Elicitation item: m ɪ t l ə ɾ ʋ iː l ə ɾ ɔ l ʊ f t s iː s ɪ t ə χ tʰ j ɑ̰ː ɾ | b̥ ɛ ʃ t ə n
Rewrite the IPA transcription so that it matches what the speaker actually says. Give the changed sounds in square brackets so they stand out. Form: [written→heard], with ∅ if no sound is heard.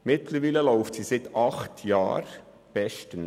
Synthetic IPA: m ɪ t l ə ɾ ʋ iː l ə [ɾ→l] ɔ [l→∅] ʊ f t s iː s ɪ t [ə→ɑ] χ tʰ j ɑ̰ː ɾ | b̥ ɛ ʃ t ə n